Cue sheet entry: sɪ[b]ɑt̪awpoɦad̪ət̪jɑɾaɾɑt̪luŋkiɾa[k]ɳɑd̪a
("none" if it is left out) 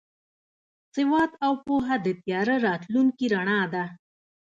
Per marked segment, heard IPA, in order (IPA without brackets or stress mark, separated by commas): w, none